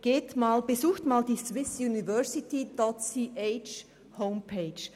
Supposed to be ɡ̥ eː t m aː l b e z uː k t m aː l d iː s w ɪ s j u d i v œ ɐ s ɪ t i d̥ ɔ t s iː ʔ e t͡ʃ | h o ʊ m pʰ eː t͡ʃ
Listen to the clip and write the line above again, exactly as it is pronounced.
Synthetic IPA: ɡ̥ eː t m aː l b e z uː x t m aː l d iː s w ɪ s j u n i v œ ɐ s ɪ t i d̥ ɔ t s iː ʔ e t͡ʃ | h o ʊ m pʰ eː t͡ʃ